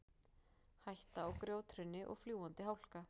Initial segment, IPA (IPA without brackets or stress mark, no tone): h